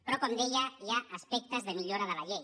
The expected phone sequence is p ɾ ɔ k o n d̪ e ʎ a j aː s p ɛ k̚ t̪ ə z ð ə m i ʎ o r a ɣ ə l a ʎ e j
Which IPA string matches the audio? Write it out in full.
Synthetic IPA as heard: p ɾ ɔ k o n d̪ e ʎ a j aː s p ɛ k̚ t̪ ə z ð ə m i ʎ o ɾ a ð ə l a ʎ e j

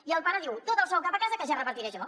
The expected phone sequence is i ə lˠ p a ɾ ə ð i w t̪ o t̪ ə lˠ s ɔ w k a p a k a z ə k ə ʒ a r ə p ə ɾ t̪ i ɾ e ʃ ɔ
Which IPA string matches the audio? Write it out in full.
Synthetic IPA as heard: i ə lˠ p a ɾ ə ð i w t̪ o t̪ ə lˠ s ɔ w k a p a k a z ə k ə ʒ a r ə p ə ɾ t̪ i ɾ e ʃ ɔ

